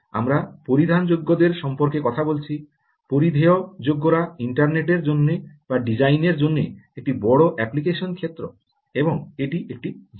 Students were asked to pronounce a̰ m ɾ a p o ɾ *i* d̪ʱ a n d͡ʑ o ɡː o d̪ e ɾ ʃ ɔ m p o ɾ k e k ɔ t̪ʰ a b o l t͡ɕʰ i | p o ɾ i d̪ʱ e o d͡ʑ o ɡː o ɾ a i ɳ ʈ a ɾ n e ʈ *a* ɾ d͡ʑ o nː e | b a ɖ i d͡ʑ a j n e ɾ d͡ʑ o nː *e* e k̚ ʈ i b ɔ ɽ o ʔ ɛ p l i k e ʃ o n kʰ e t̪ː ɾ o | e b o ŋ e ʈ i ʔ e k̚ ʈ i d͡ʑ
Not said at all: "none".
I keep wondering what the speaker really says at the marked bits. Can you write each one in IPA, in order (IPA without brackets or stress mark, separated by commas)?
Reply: i, e, e